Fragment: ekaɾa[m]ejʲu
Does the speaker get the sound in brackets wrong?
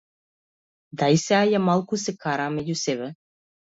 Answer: no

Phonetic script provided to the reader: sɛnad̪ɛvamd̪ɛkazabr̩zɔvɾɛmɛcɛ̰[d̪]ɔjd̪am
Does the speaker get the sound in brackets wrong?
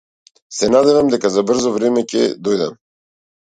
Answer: no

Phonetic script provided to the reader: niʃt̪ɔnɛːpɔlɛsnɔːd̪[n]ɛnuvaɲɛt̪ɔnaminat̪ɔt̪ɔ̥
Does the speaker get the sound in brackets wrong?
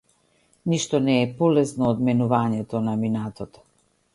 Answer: yes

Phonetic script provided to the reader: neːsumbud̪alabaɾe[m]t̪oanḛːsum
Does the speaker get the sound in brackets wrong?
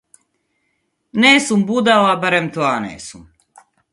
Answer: no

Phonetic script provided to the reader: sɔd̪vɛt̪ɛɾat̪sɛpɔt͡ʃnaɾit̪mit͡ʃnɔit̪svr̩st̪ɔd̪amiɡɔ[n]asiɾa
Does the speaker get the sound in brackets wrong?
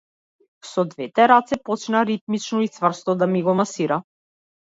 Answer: yes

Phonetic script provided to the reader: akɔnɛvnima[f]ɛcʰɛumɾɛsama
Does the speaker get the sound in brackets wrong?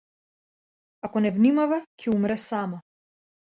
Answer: yes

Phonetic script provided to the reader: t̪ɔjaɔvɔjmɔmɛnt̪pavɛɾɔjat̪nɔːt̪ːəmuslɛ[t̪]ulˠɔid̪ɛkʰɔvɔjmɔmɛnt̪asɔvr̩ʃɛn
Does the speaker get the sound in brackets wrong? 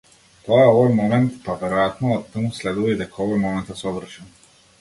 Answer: yes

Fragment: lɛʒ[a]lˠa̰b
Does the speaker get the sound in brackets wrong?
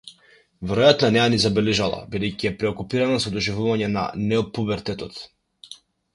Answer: no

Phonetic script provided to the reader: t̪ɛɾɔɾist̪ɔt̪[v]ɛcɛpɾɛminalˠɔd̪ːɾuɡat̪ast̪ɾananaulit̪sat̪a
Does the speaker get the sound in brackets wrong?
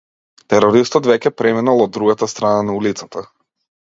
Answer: no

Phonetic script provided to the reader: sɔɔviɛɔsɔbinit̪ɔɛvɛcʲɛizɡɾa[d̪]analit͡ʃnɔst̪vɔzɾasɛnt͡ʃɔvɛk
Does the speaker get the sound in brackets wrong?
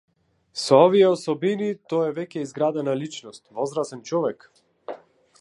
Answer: no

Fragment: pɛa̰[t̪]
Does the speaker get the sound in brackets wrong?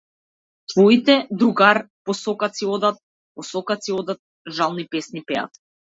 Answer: no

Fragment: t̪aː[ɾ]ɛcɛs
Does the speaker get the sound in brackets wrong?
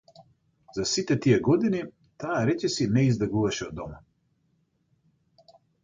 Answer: no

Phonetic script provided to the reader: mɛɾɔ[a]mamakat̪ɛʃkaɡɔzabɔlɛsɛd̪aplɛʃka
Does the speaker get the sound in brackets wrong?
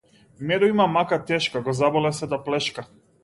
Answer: yes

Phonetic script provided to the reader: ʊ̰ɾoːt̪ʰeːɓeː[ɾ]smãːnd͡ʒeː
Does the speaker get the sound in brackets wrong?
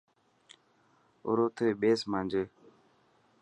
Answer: yes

